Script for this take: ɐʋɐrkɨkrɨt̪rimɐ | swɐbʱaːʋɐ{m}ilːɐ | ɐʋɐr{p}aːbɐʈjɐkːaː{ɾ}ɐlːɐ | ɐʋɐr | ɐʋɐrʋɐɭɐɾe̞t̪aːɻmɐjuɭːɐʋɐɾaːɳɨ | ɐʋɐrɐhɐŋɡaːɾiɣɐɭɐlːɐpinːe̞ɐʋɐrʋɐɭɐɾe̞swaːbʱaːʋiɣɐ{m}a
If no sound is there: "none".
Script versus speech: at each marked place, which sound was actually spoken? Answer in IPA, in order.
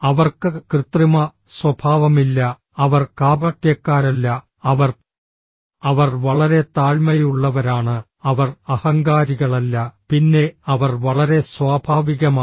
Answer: m, k, ɾ, m

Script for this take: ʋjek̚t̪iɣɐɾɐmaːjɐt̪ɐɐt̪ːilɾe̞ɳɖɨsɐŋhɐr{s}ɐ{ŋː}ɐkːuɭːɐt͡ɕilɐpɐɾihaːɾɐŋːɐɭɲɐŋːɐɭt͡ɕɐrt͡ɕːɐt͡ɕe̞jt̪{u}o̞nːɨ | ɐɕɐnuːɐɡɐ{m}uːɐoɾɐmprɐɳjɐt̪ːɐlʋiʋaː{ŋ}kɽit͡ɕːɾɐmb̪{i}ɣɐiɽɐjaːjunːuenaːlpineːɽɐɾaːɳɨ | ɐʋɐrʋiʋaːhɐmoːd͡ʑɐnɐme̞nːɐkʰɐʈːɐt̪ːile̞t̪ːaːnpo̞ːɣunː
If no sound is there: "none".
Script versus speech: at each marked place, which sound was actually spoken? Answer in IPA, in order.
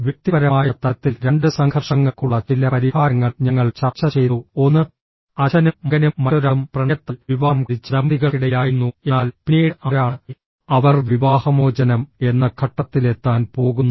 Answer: ʂ, ŋː, u, n, m, i

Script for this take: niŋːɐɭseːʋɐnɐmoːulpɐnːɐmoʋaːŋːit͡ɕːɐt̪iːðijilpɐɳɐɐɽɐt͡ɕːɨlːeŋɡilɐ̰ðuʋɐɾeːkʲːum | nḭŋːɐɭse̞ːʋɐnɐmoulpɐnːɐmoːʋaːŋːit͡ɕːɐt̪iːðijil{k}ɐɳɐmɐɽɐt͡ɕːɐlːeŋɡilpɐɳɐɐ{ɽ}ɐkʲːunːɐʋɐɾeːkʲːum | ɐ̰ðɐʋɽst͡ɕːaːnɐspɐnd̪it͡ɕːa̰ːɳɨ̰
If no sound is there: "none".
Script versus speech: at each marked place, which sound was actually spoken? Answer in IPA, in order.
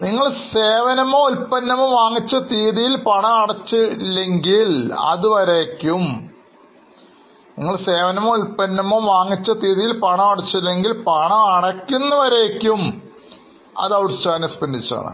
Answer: p, ɽ

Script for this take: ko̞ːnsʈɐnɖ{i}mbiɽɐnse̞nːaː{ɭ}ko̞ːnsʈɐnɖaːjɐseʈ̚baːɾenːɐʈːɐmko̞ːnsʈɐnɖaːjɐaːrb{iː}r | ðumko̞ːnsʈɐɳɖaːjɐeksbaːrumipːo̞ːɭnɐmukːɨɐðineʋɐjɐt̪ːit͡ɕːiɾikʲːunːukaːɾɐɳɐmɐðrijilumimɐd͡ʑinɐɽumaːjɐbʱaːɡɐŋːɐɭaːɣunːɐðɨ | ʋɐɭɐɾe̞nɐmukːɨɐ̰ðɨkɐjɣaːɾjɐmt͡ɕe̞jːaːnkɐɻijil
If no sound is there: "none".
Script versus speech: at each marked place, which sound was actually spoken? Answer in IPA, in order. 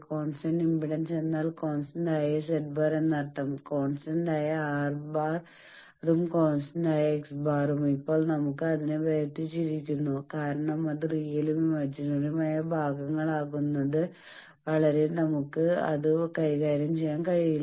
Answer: i, l, aː

